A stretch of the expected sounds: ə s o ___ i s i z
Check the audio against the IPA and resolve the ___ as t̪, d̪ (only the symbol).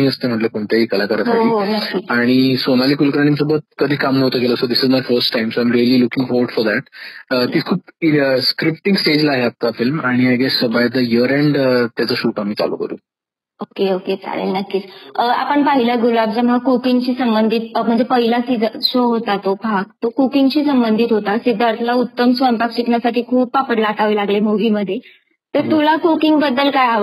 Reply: d̪